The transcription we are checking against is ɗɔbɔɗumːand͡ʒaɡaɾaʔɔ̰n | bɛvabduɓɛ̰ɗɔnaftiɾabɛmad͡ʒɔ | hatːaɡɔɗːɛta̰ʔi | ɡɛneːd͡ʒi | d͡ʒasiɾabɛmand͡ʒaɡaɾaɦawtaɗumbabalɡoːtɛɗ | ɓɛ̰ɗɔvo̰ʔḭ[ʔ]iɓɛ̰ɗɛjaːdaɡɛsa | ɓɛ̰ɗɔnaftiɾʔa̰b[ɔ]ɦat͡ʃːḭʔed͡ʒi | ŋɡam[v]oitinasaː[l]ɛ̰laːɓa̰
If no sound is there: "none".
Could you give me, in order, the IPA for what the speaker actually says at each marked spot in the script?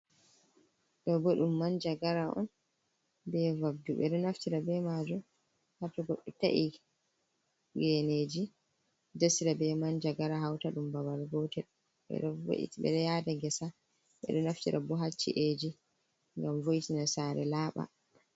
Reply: t, ɔ, v, ɾ

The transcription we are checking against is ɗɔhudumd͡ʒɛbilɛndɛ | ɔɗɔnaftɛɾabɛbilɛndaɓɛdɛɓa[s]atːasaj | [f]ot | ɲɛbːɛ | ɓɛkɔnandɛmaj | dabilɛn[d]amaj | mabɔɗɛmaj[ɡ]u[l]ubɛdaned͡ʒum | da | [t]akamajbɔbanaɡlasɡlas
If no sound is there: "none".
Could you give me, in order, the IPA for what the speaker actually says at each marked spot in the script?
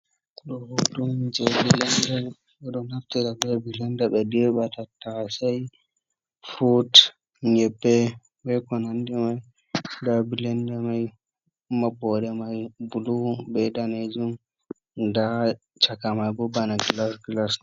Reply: t, f, d, b, l, t͡ʃ

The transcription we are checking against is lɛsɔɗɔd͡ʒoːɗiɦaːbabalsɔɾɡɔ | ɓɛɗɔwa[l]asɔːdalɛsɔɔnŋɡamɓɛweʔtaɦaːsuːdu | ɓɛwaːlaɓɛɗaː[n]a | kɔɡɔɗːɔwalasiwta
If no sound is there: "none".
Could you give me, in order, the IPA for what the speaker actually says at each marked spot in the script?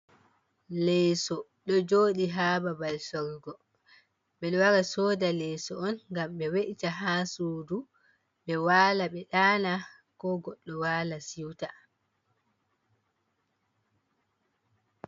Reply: ɾ, n

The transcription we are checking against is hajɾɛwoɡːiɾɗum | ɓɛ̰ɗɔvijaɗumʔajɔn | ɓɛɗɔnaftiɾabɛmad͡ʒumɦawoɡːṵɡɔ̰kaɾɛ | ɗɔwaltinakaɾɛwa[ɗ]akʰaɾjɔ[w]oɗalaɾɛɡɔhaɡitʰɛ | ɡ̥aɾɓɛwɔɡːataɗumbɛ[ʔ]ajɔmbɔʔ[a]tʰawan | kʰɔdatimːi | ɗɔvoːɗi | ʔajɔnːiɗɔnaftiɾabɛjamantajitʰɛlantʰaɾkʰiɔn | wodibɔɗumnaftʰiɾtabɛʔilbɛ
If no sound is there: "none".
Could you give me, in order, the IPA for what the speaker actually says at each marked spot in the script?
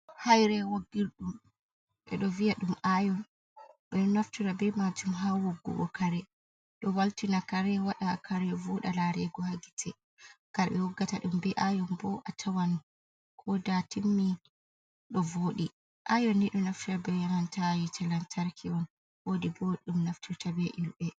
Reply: ɗ, v, ʔ, a

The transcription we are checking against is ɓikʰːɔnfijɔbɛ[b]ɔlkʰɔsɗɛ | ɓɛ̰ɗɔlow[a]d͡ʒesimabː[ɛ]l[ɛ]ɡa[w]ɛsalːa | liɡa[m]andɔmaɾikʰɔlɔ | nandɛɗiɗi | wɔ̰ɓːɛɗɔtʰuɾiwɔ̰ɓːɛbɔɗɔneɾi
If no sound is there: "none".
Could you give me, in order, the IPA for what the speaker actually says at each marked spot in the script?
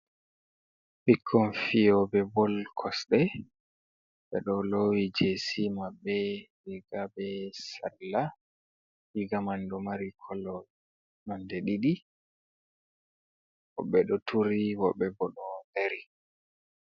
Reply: b, i, ɛ, i, b, m

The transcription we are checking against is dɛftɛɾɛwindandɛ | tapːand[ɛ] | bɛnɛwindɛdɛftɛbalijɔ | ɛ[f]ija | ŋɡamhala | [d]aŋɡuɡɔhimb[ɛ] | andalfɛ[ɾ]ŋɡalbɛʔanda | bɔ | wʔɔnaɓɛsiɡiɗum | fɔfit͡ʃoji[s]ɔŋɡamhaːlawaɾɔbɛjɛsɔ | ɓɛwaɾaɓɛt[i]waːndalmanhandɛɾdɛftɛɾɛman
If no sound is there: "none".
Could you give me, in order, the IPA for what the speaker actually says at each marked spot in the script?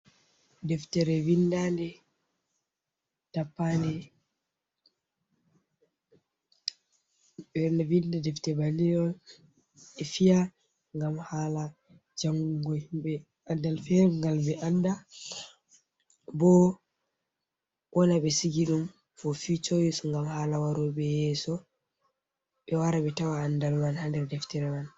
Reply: ɛ, f, d͡ʒ, ɛ, ɾ, s, a

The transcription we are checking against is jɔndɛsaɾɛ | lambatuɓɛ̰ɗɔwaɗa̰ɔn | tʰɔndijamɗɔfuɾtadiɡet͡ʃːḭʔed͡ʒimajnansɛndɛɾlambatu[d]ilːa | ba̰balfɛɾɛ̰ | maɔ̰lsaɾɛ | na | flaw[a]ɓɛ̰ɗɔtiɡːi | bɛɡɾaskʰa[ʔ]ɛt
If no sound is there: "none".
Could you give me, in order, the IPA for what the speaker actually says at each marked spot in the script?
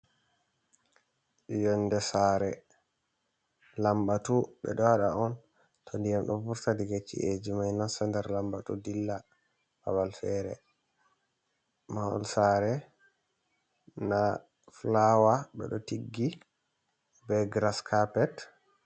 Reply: d, a, p

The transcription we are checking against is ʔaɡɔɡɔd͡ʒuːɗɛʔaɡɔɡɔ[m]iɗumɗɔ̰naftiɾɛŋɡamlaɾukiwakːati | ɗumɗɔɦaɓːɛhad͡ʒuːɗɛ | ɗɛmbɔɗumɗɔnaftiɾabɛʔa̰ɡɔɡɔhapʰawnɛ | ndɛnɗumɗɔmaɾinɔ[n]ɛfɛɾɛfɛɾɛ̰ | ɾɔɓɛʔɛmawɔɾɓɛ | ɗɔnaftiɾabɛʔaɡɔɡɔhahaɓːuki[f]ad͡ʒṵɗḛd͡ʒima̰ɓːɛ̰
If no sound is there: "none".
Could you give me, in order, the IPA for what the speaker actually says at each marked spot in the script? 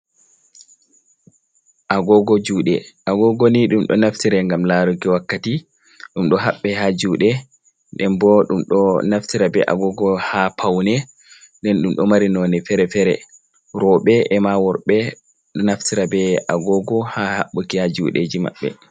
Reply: n, n, h

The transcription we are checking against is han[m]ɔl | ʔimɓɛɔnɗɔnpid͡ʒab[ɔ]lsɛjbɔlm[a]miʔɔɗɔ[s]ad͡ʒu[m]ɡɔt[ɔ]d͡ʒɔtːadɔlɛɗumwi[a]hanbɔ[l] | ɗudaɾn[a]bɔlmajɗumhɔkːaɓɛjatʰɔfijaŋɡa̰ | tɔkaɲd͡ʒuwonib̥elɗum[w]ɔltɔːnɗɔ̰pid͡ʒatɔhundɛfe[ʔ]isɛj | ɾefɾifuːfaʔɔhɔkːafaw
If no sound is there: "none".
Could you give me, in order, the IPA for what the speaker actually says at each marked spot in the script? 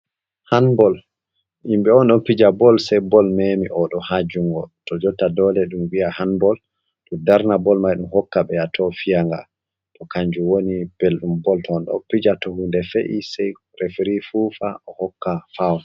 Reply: b, ɔ, e, h, ŋ, ɔ, a, l, a, b, ʔ

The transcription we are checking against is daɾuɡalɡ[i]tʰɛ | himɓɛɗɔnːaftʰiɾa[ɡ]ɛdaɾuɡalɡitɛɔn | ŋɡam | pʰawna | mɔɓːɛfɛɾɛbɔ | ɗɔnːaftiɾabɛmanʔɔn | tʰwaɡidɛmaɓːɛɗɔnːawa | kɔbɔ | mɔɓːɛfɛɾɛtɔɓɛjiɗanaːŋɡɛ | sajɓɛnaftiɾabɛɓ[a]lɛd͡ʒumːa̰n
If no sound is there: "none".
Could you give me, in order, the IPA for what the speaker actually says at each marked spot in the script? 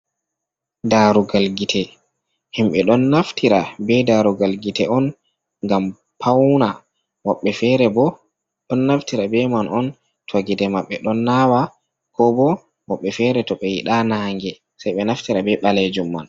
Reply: i, b, a

